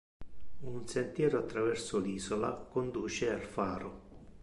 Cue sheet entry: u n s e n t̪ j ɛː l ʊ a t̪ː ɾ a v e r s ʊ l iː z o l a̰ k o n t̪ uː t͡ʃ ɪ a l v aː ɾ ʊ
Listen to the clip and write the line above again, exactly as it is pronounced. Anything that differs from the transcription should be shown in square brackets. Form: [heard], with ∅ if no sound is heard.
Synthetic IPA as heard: u n s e n t̪ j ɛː [ɾ] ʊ a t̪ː ɾ a v [ɛ] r s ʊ l iː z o l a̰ k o n [d̪] uː t͡ʃ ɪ a l [f] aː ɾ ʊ